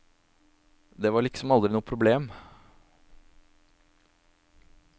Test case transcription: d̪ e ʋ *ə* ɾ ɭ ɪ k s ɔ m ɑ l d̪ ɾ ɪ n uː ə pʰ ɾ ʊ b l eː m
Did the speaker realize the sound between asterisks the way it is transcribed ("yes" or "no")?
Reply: no